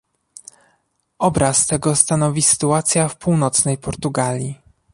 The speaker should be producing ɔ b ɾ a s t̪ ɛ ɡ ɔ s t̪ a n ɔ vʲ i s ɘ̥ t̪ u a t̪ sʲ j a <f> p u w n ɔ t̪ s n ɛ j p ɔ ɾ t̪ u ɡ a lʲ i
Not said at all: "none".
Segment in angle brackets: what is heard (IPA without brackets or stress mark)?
f